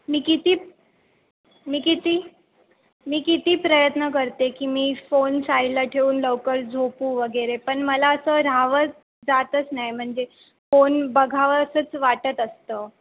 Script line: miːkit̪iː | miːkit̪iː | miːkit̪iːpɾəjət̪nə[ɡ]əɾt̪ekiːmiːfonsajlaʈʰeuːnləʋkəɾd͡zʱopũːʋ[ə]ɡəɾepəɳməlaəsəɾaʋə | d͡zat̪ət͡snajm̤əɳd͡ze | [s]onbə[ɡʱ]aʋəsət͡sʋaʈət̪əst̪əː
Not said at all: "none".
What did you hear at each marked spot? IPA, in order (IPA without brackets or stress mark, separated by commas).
k, ə, f, ɡʱ